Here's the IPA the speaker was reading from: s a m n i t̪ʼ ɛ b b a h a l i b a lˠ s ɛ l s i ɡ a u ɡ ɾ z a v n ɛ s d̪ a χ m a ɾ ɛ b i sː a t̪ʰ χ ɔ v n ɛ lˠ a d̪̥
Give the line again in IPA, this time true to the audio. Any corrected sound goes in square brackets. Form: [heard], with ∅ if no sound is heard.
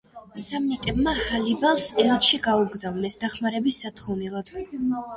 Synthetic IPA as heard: s a m n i t̪ʼ ɛ b [m] a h a l i b a lˠ s ɛ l [ʃ] i ɡ a u ɡ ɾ z a v n ɛ s d̪ a χ m a ɾ ɛ b i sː a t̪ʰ χ ɔ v n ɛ lˠ a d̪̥